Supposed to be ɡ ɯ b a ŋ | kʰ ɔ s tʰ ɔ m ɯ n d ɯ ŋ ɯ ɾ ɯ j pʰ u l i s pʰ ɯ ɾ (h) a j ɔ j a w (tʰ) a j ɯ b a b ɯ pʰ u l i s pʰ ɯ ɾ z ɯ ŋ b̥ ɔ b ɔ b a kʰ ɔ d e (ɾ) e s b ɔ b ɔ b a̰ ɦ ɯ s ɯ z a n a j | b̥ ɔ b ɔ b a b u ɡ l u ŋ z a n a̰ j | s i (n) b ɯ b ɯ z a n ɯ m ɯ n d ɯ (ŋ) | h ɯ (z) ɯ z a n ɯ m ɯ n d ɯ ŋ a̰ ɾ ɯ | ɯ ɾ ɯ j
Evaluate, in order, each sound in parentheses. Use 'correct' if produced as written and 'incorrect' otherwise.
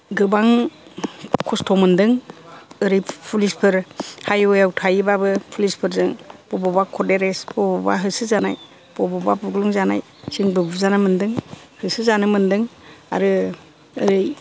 correct, correct, correct, incorrect: ŋ, correct, incorrect: s

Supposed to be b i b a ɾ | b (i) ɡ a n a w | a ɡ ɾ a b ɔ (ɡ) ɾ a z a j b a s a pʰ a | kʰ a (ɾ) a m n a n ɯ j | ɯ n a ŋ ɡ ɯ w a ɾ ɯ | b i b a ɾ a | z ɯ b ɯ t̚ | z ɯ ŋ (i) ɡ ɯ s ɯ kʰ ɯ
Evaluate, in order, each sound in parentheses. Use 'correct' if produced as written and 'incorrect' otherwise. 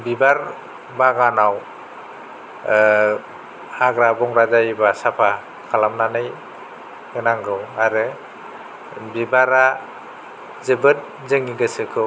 incorrect: a, incorrect: ŋ, incorrect: l, correct

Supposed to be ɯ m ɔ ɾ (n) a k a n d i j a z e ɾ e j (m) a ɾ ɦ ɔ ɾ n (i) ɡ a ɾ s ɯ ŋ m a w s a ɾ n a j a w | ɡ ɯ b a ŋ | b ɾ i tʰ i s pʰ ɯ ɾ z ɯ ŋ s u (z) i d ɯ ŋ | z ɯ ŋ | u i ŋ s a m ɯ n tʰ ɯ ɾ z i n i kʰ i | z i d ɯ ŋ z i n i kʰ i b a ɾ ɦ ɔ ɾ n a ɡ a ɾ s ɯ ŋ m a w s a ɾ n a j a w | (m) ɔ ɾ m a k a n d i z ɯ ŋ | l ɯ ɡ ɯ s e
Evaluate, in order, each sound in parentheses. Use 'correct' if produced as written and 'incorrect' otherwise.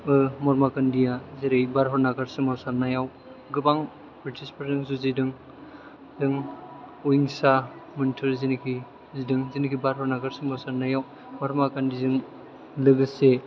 incorrect: m, incorrect: b, incorrect: a, correct, correct

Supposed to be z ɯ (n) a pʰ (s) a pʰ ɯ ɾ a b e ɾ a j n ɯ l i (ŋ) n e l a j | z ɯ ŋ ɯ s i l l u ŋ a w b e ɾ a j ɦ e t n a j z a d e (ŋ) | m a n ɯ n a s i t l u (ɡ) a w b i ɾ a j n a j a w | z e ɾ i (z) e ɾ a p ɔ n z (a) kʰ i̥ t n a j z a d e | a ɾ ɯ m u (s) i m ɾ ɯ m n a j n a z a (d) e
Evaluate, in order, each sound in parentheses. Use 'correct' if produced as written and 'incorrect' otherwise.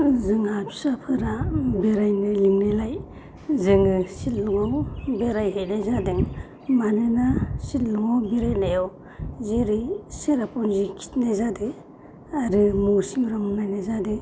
incorrect: ŋ, correct, correct, correct, incorrect: ŋ, incorrect: s, incorrect: i, correct, correct

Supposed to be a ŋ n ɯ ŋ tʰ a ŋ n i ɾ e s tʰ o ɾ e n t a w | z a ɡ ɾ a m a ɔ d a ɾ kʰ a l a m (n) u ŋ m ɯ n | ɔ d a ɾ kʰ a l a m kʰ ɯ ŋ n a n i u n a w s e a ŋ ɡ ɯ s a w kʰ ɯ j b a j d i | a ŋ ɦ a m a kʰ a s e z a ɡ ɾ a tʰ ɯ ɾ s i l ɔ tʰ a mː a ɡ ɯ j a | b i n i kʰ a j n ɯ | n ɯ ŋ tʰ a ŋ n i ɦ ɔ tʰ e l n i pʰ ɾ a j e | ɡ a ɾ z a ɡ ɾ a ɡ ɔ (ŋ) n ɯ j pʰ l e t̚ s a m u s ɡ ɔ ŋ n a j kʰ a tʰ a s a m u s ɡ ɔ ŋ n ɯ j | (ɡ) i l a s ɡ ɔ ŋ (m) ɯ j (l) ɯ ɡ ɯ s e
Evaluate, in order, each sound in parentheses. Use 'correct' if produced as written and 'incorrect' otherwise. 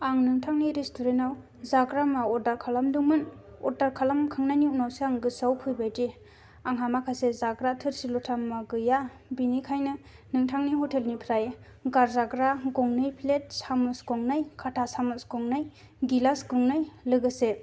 incorrect: d, correct, correct, incorrect: n, correct

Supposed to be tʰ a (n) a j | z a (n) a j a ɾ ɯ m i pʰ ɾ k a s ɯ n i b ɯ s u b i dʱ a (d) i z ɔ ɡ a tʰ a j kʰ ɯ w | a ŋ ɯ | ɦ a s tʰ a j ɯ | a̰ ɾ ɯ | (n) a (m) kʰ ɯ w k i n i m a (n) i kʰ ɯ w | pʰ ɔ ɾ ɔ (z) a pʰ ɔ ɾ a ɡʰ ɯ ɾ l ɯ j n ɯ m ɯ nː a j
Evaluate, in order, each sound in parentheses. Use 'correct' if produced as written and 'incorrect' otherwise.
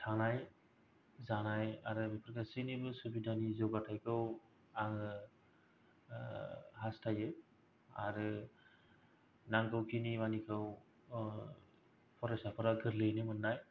correct, correct, incorrect: n, correct, incorrect: ŋ, correct, incorrect: s

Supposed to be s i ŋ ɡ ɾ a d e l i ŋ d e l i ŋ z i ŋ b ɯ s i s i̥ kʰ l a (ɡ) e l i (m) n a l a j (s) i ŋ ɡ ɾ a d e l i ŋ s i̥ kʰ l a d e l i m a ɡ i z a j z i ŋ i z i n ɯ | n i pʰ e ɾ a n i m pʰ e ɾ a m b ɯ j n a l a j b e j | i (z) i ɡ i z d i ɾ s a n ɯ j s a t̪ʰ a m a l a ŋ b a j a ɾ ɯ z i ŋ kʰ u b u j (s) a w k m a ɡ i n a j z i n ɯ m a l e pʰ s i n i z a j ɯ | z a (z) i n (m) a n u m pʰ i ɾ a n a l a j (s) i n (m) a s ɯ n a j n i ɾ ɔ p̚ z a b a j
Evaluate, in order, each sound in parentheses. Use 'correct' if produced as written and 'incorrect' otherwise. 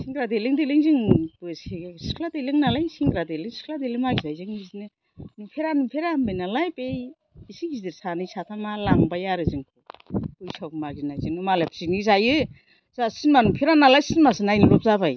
incorrect: d, incorrect: ŋ, correct, incorrect: s, correct, incorrect: s, correct, correct, correct

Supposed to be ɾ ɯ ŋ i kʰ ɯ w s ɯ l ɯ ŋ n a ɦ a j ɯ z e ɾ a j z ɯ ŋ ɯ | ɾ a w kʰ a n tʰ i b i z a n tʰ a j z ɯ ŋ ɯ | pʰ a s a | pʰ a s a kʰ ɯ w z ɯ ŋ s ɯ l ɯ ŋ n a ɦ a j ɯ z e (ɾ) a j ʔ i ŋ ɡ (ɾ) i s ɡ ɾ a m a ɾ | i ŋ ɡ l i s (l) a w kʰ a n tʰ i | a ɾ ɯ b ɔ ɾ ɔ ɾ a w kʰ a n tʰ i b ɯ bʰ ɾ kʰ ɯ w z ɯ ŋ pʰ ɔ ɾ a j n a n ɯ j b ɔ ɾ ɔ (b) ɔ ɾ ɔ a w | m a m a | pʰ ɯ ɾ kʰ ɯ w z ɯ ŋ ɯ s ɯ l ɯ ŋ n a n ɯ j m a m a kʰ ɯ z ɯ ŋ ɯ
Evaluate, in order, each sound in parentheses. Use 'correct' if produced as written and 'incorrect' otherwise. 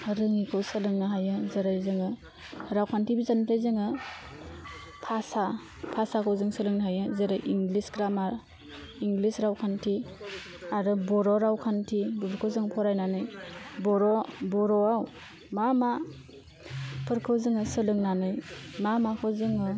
correct, incorrect: l, incorrect: ɾ, correct

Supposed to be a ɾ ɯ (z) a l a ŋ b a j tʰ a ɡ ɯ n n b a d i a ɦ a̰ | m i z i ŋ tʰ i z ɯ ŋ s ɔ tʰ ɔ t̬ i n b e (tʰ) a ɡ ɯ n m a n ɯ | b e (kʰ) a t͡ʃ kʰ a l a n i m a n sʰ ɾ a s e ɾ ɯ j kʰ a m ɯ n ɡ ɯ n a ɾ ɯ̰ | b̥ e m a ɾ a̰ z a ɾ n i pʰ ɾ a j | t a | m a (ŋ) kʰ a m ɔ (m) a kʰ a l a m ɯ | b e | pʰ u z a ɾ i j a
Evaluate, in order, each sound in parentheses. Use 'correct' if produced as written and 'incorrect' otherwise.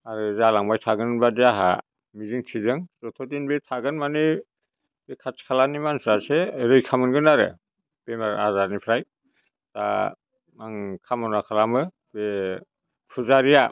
correct, correct, correct, correct, incorrect: n

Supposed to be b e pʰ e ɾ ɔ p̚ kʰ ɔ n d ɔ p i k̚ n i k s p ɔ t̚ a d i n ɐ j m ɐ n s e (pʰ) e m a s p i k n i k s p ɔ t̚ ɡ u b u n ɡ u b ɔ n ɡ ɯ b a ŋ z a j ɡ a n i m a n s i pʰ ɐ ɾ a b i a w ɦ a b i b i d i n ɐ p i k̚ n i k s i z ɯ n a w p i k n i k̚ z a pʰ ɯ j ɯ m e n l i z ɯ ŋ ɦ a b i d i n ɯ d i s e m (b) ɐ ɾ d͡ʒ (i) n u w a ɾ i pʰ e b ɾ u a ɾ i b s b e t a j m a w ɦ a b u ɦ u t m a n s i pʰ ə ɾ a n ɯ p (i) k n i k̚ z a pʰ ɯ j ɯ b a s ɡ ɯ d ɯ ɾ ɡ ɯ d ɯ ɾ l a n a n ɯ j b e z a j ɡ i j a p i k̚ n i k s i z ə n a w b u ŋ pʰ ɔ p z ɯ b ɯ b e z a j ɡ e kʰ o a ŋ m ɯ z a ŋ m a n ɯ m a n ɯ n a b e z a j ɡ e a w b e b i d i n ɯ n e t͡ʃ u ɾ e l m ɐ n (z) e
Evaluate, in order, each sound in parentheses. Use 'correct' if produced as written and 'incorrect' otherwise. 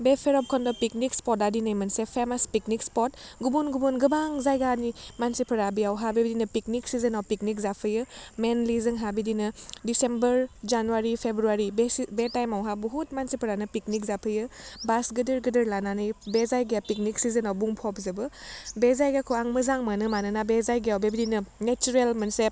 correct, correct, incorrect: a, correct, incorrect: s

